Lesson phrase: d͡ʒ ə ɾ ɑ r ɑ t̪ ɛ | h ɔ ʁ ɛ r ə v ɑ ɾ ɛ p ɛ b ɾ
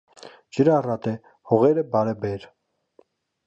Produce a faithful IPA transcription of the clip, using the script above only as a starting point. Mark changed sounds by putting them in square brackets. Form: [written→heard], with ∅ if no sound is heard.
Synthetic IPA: d͡ʒ ə ɾ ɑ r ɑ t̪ ɛ | h ɔ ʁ ɛ [r→ɾ] ə [v→b] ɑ ɾ ɛ [p→b] ɛ [b→∅] ɾ